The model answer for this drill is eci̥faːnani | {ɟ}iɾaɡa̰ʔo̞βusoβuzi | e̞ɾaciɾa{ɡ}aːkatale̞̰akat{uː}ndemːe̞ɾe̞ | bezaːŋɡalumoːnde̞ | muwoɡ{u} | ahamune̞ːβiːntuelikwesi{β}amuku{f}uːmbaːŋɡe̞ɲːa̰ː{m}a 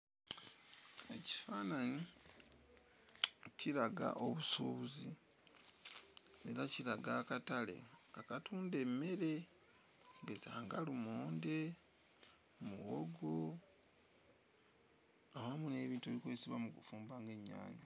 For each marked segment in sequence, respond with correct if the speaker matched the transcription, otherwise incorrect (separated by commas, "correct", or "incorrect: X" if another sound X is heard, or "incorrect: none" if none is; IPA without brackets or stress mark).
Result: incorrect: c, correct, correct, incorrect: o, correct, correct, incorrect: ɲ